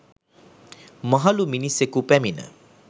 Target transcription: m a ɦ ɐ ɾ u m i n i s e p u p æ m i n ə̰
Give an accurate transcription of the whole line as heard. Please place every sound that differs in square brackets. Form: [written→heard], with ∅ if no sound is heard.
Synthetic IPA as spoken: m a ɦ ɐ [ɾ→l] u m i n i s e [p→k] u p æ m i n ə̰